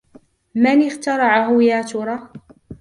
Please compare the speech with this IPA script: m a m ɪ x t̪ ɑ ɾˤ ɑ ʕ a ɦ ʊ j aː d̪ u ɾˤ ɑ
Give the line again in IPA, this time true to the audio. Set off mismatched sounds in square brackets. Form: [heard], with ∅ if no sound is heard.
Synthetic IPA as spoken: m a [n] ɪ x t̪ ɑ ɾˤ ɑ ʕ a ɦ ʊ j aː [t̪] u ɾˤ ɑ